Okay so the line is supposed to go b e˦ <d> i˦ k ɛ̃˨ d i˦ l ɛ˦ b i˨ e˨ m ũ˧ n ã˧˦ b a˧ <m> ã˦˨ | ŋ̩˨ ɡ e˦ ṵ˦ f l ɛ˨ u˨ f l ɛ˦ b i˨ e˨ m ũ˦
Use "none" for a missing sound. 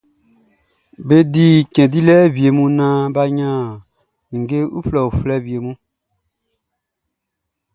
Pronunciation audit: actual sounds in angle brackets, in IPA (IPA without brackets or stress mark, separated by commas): d, ɲ